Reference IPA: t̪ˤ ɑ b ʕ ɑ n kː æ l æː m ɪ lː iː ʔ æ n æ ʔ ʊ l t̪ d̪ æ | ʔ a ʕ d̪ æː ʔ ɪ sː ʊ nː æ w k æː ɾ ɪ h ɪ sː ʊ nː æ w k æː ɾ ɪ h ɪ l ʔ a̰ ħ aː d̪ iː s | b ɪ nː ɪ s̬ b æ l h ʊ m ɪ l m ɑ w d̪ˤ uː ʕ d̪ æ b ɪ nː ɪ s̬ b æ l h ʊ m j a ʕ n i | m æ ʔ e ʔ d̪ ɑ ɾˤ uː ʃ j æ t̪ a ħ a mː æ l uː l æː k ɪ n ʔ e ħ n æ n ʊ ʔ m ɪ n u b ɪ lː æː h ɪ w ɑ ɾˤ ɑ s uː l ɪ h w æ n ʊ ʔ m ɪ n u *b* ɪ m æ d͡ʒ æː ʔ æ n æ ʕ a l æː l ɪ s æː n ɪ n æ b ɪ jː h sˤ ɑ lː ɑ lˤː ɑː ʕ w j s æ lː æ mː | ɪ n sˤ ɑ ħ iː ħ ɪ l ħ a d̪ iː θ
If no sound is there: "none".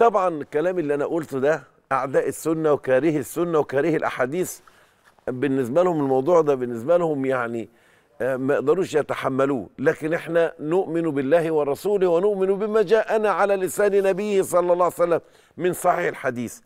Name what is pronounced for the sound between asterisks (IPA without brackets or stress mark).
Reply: b